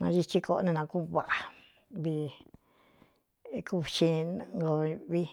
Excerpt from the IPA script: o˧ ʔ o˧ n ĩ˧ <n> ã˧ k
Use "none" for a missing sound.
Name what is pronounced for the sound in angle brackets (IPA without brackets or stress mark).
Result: n